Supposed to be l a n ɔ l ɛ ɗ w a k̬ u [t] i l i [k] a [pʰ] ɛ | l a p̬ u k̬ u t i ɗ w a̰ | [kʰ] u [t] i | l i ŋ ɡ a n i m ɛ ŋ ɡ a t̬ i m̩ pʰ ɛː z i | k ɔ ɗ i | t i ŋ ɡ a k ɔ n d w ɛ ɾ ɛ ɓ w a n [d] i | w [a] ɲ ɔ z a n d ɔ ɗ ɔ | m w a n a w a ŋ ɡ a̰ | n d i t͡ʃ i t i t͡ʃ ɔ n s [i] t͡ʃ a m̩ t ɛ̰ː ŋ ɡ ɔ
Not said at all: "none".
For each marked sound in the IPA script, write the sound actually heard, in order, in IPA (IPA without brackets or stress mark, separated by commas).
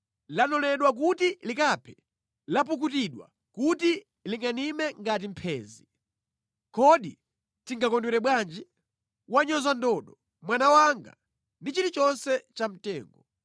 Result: t, k, pʰ, k, t, d͡ʒ, a, ɛ